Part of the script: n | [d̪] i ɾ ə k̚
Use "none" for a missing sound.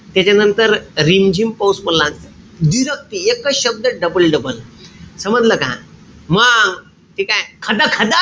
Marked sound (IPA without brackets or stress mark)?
d̪